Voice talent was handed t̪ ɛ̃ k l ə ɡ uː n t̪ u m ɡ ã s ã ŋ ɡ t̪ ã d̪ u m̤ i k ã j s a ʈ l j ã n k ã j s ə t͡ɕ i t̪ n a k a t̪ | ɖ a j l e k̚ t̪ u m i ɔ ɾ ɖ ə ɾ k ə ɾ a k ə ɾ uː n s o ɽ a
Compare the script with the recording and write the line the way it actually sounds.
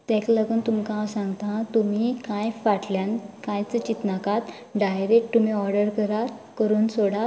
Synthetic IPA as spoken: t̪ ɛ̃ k l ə ɡ uː n t̪ u m k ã s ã ŋ ɡ t̪ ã t̪ u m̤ i k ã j f a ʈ l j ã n k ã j t͡s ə t͡ɕ i t̪ n a k a t̪ | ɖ a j ɾ e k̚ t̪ u m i ɔ ɾ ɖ ə ɾ k ə ɾ a k ə ɾ uː n s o ɽ a